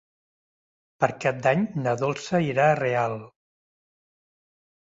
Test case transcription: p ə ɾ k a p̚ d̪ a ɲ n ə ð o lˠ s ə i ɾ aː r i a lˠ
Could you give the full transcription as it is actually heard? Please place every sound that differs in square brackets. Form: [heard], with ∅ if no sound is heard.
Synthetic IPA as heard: p ə ɾ k a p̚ d̪ a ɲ n ə ð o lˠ s ə i ɾ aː r [e] a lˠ